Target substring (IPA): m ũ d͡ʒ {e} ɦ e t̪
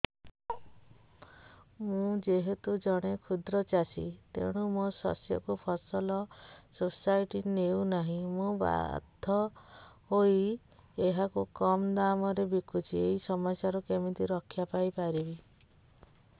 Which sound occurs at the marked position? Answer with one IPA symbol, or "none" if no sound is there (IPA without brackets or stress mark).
e